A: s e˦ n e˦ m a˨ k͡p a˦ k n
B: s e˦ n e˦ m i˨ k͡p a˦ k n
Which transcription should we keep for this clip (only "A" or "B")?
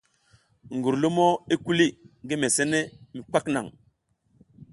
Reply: B